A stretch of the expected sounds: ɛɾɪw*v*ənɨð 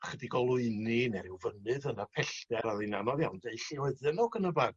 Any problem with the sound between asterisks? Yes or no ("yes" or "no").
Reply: no